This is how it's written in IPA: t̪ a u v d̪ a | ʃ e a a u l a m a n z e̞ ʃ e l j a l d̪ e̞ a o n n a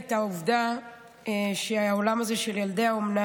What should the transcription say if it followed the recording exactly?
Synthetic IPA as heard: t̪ a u v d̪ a | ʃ e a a o l a m a z e̞ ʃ e l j a l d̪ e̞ a o m n a